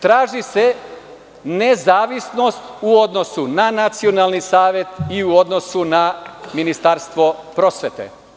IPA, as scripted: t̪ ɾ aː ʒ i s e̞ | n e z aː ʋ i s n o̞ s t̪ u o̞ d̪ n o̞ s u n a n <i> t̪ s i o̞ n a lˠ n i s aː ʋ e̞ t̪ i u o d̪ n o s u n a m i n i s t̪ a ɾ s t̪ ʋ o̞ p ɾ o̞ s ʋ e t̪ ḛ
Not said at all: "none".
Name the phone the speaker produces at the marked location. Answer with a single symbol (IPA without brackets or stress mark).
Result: a